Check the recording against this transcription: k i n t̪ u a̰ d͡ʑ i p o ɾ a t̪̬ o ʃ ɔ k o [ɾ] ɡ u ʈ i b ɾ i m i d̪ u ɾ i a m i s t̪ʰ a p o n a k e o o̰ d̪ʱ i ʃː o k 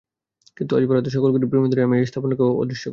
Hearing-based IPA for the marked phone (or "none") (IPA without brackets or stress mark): l